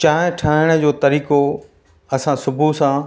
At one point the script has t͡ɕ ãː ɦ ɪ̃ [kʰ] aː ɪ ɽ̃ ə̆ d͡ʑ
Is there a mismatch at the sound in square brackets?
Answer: yes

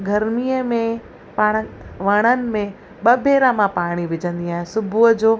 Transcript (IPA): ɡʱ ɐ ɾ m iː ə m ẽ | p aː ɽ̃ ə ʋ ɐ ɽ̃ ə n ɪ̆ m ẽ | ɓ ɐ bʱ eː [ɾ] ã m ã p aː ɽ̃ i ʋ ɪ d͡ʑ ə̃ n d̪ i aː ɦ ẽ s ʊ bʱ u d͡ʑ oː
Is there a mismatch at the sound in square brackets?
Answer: no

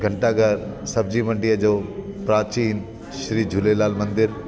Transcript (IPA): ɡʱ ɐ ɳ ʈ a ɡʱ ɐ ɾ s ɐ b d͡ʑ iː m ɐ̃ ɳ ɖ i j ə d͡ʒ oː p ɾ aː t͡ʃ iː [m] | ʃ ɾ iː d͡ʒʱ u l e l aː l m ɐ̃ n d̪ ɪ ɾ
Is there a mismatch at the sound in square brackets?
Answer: yes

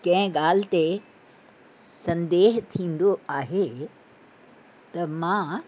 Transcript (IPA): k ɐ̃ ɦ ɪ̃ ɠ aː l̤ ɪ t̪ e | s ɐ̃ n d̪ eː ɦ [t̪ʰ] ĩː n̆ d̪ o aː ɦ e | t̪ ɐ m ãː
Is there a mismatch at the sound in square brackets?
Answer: no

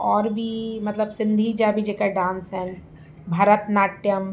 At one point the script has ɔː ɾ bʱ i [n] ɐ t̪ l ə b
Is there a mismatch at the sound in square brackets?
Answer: yes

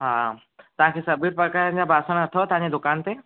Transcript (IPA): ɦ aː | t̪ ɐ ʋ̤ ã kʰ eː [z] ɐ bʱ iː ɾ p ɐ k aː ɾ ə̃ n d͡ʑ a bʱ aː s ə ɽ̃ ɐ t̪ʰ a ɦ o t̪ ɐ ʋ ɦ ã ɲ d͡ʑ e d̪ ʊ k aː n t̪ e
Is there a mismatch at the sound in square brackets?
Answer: yes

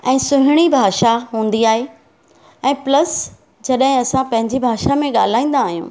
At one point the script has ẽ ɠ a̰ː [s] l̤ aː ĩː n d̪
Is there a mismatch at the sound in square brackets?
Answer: yes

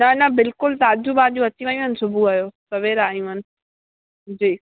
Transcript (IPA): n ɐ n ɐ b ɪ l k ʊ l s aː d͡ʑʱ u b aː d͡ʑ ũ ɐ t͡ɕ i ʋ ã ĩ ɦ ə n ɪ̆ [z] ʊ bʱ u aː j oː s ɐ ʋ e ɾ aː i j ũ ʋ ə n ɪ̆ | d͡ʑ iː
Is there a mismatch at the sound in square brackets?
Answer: yes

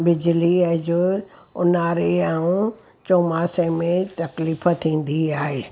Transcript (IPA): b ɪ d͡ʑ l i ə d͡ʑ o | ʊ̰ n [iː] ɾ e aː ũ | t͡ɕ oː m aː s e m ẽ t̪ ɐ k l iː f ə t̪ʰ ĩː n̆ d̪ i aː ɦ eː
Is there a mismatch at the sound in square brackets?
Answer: yes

